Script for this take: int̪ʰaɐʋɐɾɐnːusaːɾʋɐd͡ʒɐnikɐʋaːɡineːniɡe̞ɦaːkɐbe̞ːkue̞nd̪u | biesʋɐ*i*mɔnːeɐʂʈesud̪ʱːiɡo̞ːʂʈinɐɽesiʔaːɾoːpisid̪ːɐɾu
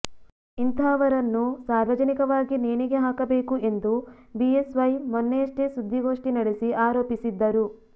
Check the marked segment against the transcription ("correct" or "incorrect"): incorrect